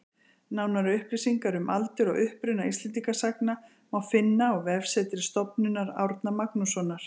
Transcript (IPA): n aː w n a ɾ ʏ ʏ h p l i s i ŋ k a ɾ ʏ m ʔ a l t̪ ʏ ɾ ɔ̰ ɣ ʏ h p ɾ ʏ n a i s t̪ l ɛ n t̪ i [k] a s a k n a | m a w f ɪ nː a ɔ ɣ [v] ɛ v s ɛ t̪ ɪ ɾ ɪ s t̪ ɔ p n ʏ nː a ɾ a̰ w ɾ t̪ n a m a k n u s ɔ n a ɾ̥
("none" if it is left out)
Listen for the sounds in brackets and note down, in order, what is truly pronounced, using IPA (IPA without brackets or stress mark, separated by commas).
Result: k, v